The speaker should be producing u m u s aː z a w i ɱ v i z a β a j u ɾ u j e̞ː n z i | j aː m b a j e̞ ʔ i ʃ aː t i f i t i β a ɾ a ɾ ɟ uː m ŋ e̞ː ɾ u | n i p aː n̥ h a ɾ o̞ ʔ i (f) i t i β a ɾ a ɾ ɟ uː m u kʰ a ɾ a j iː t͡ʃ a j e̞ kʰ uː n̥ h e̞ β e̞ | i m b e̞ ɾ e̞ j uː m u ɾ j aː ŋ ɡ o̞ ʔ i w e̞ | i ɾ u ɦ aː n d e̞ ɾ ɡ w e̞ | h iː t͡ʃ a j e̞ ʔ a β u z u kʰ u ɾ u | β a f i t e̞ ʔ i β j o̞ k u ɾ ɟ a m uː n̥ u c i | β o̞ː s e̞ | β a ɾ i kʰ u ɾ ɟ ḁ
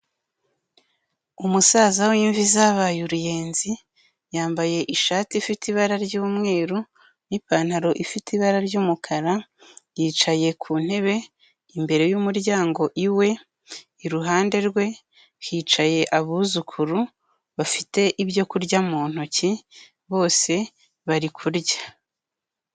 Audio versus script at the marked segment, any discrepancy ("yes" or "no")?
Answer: no